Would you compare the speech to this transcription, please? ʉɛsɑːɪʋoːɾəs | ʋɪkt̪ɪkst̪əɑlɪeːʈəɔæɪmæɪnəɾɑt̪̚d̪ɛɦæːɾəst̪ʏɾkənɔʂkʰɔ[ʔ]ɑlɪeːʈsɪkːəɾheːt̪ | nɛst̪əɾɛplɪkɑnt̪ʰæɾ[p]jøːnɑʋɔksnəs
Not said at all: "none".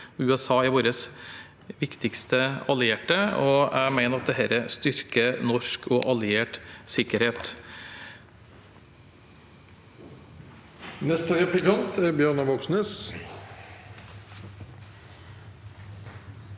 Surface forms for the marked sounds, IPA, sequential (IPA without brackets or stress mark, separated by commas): ʔ, b